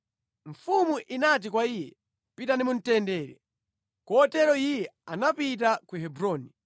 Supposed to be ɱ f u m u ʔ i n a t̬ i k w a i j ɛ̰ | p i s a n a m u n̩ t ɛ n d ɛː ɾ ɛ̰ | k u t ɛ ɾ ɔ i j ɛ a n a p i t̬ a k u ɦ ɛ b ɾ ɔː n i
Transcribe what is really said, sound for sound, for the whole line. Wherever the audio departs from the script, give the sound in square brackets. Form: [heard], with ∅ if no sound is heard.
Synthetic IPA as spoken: ɱ f u m u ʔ i n a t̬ i k w a i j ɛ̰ | p i [t] a n [i] m u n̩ t ɛ n d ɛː ɾ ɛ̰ | k [ɔ] t ɛ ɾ ɔ i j ɛ a n a p i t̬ a k u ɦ ɛ b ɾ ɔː n i